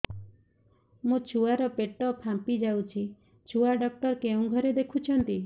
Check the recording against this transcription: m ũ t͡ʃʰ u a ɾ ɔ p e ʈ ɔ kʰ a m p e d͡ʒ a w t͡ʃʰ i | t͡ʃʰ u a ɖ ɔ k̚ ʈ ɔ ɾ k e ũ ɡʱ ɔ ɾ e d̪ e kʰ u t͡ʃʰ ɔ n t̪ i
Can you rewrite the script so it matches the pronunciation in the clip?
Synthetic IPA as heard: m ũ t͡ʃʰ u a ɾ ɔ p e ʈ ɔ pʰ a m p i d͡ʒ a w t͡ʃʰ i | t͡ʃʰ u a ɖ ɔ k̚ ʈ ɔ ɾ k e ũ ɡʱ ɔ ɾ e d̪ e kʰ u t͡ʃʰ ɔ n t̪ i